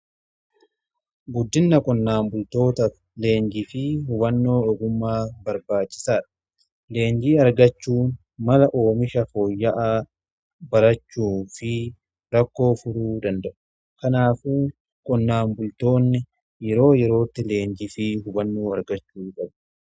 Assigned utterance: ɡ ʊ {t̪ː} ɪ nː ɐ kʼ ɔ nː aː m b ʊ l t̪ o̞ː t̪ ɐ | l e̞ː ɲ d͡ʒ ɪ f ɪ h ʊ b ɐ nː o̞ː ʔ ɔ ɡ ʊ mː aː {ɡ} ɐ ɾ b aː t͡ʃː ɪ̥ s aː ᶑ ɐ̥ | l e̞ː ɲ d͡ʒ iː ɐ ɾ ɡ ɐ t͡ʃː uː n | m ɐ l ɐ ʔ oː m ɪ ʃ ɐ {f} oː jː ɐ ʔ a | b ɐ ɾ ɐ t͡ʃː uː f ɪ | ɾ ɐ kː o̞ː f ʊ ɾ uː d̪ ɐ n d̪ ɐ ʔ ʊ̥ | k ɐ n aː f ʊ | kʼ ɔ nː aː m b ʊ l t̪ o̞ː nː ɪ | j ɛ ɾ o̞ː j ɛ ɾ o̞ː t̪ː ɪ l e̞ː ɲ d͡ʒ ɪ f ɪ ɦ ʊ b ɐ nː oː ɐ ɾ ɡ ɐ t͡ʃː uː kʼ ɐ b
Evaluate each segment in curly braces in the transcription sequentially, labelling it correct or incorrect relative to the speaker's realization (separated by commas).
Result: incorrect, incorrect, correct